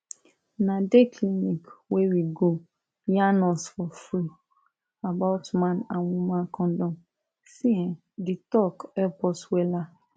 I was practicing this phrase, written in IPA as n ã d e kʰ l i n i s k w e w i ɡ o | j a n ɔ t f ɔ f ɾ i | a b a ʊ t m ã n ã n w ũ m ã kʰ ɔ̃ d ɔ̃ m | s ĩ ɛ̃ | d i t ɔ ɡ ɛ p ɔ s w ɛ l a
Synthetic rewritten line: n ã d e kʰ l i n i k w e w i ɡ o | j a n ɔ s f ɔ f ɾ i | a b a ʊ t m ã n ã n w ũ m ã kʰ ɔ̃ d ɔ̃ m | s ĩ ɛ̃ | d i t ɔ k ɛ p ɔ s w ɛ l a